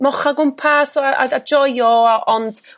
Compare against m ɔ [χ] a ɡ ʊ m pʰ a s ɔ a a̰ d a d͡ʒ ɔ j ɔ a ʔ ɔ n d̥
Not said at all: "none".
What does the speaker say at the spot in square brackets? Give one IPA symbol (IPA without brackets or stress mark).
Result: χ